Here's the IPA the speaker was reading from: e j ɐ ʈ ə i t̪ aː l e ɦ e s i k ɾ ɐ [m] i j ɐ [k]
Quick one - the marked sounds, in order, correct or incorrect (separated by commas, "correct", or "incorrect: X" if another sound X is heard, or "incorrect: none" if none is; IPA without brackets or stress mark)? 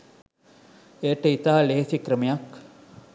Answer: correct, correct